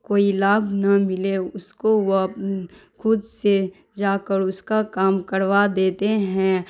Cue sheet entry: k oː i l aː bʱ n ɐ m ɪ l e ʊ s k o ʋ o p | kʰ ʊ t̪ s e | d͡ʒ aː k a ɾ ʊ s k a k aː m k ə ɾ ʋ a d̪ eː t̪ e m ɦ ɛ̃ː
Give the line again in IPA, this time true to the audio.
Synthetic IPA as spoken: k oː i l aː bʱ n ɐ m ɪ l e ʊ s k o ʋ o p | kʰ ʊ d̪ s e | d͡ʒ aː k ə ɾ ʊ s k a k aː m k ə ɾ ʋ a d̪ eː t̪ e ɦ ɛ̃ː